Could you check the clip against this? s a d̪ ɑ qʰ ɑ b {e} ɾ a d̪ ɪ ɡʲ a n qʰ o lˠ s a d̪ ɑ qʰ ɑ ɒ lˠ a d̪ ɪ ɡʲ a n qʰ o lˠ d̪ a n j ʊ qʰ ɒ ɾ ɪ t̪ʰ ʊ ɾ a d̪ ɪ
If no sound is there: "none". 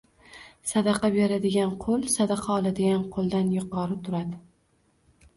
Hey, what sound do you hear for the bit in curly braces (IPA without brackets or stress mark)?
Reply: e